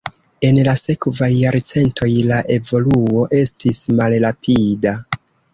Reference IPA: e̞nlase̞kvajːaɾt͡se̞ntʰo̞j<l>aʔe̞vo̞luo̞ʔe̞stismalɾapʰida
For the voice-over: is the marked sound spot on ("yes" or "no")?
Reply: yes